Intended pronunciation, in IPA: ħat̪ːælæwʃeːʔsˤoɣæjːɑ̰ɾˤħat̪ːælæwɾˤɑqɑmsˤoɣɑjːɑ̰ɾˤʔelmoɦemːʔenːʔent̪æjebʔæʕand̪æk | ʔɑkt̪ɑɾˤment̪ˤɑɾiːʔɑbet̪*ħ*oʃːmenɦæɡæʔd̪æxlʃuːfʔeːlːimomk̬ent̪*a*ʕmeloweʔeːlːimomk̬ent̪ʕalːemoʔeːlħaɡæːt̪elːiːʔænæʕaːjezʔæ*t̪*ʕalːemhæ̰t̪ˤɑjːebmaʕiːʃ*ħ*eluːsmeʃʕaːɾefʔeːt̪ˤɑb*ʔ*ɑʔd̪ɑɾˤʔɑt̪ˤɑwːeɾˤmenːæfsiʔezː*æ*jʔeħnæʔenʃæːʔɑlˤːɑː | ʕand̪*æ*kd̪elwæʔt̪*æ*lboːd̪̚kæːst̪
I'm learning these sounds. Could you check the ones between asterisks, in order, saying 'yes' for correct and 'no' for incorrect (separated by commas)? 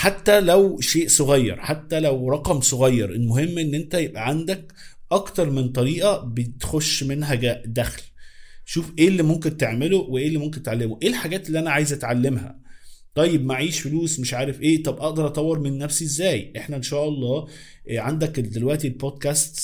no, no, yes, no, yes, no, yes, no